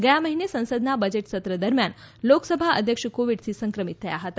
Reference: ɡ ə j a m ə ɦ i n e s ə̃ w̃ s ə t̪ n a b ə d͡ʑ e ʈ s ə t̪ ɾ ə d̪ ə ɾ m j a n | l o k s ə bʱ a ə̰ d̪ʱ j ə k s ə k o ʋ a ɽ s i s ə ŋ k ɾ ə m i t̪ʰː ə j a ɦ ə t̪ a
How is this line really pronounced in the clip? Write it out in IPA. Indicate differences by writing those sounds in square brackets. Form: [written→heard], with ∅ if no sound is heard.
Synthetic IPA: ɡ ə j a m ə ɦ i n e s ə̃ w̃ s ə [t̪→d̪] n a b ə d͡ʑ e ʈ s ə t̪ ɾ ə d̪ ə ɾ m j a n | l o k s ə bʱ a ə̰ d̪ʱ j ə k [s→ʂ] ə k o ʋ [a→i] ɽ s i s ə ŋ k ɾ ə m i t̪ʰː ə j a ɦ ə t̪ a

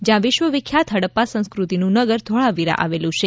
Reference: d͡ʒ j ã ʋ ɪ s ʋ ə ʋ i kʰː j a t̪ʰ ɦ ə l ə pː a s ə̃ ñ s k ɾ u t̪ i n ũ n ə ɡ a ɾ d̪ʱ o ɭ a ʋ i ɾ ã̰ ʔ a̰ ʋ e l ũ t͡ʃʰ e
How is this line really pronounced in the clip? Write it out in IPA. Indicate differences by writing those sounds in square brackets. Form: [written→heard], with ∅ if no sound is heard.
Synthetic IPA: d͡ʒ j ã ʋ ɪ [s→ʃ] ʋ ə ʋ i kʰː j a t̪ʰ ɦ ə [l→ɽ] ə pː a s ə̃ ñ s k ɾ u t̪ i n ũ n ə ɡ [a→ə] ɾ d̪ʱ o ɭ a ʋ i ɾ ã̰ ʔ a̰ ʋ e l ũ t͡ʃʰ e

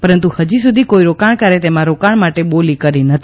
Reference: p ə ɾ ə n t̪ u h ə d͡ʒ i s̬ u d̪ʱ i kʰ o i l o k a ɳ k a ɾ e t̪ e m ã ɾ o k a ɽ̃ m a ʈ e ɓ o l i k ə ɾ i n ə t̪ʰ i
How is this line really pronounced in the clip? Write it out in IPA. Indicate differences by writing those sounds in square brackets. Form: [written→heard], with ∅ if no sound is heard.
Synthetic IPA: p ə ɾ ə n t̪ u h ə d͡ʒ i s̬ u d̪ʱ i [kʰ→k] o i [l→ɾ] o k a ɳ k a ɾ e t̪ e m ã ɾ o k a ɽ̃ m a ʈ e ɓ o l i k ə ɾ i n ə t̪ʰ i

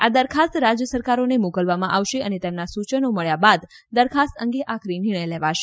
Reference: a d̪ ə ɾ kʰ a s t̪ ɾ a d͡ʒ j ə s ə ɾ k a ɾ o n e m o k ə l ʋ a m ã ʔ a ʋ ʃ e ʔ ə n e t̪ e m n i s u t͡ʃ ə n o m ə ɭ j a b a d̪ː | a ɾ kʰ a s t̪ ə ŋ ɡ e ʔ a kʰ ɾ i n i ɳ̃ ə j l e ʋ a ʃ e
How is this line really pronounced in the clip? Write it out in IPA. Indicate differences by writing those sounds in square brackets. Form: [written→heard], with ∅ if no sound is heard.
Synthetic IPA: a d̪ ə ɾ kʰ a s t̪ ɾ a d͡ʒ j ə s ə ɾ k a ɾ o n e m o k ə l ʋ a m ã ʔ a ʋ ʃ e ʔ ə n e t̪ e m n [i→a] s u t͡ʃ ə n o m ə ɭ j a b a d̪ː | [a→ə] ɾ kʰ a s t̪ ə ŋ ɡ e ʔ a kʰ ɾ i n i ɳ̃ ə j l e ʋ a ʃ e

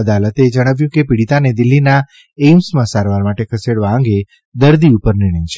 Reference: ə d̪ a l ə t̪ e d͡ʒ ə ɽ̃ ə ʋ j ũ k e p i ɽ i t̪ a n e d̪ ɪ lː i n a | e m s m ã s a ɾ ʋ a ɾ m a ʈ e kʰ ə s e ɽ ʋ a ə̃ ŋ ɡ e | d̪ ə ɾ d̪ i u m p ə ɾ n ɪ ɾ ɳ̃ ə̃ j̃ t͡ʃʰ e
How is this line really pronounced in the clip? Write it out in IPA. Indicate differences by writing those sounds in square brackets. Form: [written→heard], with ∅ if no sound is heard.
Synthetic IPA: ə d̪ a l ə t̪ e d͡ʒ ə ɽ̃ ə ʋ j ũ k e p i ɽ i t̪ a n e d̪ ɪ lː i n a | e m s m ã s a ɾ ʋ a ɾ m a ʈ e kʰ ə s e ɽ ʋ a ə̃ ŋ ɡ e | d̪ ə ɾ d̪ i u [m→∅] p ə ɾ n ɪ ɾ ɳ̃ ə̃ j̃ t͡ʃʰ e

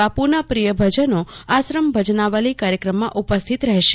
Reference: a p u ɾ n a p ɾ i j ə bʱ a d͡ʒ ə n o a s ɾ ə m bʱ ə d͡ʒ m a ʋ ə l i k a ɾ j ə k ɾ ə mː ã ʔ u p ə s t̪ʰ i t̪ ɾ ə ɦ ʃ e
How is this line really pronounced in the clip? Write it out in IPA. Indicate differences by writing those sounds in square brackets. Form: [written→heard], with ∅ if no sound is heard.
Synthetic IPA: a p u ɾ n a p ɾ i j ə bʱ [a→ə] d͡ʒ ə n o a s ɾ ə m bʱ ə d͡ʒ [m→n] a ʋ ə l i k a ɾ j ə k ɾ ə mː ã ʔ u p ə s t̪ʰ i t̪ ɾ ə ɦ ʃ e

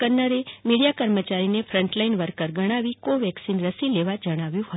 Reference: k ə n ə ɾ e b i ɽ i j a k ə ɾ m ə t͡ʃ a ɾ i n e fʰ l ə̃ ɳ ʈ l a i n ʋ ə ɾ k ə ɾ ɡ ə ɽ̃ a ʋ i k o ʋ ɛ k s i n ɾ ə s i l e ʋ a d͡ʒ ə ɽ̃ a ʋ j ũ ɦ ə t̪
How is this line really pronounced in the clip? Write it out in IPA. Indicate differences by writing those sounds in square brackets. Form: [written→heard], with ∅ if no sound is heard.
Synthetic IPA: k ə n ə ɾ e [b→m] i ɽ i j a k ə ɾ m ə t͡ʃ a ɾ i n e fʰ [l→ɾ] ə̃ ɳ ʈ l a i n ʋ ə ɾ k ə ɾ ɡ ə ɽ̃ a ʋ i k o ʋ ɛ k s i n ɾ ə s i l e ʋ a d͡ʒ ə ɽ̃ a ʋ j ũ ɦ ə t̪

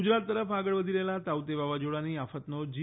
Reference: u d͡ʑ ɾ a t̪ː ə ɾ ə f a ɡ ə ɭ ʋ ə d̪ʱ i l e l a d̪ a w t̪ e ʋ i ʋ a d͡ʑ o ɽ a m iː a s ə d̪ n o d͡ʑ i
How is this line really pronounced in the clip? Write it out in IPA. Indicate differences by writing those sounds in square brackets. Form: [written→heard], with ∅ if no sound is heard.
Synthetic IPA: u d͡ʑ ɾ a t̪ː ə ɾ ə f a ɡ ə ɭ ʋ ə d̪ʱ i l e l a [d̪→t̪] a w t̪ e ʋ [i→a] ʋ a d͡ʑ o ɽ a [m→n] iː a [s→f] ə [d̪→t̪] n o d͡ʑ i

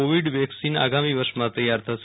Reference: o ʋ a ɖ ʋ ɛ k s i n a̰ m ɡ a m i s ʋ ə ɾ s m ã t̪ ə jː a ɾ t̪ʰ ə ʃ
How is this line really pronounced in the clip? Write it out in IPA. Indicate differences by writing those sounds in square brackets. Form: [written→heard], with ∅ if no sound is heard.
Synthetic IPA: o ʋ [a→i] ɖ ʋ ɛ k s i n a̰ [m→∅] ɡ a m i [s→∅] ʋ ə ɾ [s→ʃ] m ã t̪ ə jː a ɾ t̪ʰ ə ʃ

